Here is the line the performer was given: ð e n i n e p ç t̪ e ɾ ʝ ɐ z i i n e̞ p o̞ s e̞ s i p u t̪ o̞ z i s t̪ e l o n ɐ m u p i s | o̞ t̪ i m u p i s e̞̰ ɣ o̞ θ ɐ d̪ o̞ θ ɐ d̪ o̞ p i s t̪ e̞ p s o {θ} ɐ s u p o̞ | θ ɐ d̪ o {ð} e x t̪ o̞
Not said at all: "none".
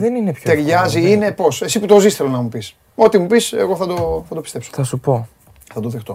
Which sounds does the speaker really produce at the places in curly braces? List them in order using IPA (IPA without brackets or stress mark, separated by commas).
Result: θ, ð